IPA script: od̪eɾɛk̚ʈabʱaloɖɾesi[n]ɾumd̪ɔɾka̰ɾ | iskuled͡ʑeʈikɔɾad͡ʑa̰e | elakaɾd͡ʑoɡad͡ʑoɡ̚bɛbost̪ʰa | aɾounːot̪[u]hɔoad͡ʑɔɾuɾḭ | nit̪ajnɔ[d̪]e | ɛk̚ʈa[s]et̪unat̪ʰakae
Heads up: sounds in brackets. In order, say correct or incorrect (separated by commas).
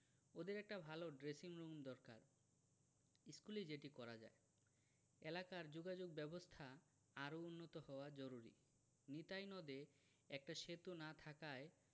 incorrect, incorrect, correct, incorrect